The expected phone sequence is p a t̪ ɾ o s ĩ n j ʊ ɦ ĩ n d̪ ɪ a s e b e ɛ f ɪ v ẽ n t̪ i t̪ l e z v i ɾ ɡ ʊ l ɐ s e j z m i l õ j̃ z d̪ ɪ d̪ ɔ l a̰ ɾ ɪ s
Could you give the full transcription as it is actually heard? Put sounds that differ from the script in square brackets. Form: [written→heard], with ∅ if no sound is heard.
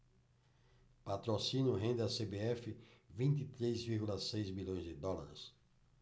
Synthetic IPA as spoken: p a t̪ ɾ o s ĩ n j ʊ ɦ [ĩ→ẽ] n d̪ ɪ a s e b e ɛ f ɪ v [ẽ→ĩ] n t̪ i t̪ [l→ɾ] e z v i ɾ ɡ [ʊ→u] l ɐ s e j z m i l õ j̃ z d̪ ɪ d̪ ɔ l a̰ ɾ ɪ s